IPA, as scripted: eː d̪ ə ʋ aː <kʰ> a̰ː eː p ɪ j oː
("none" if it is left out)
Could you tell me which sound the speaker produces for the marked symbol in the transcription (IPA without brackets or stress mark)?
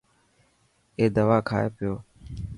kʰ